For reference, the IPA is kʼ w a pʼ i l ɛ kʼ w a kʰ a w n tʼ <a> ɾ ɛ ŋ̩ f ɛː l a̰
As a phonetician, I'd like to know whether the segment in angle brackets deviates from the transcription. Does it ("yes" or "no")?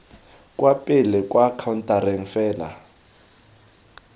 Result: no